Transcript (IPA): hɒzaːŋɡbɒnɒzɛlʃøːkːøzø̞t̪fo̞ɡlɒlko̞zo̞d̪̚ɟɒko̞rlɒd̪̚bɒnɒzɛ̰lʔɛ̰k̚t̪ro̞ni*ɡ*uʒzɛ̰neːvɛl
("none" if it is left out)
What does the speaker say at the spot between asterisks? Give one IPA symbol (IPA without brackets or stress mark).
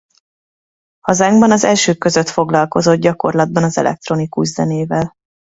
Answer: k